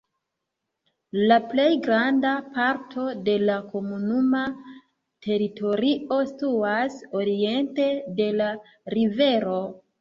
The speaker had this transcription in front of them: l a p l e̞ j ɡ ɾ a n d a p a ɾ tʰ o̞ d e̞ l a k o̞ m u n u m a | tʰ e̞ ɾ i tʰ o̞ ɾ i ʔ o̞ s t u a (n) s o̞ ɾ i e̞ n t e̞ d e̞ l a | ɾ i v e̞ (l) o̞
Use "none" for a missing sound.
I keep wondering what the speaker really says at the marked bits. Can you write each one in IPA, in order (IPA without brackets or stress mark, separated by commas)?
none, ɾ